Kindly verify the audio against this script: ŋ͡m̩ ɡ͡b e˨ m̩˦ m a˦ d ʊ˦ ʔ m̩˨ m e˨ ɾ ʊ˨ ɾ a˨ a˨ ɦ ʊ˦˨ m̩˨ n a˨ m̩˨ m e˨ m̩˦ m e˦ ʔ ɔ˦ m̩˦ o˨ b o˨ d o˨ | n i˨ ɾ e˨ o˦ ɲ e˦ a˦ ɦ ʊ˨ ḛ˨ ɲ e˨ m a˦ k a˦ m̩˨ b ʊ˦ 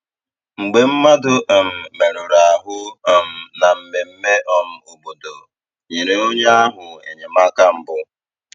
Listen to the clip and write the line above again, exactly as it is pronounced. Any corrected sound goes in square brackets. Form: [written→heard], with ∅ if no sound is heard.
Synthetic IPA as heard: ŋ͡m̩ ɡ͡b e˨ m̩˦ m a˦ d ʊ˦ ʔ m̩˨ m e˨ ɾ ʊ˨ ɾ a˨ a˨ ɦ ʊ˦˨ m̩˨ n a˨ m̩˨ m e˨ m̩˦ m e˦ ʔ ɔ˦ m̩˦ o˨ b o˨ d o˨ | [n→ɲ] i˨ ɾ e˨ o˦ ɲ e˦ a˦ ɦ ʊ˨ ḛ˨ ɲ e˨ m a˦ k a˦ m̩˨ b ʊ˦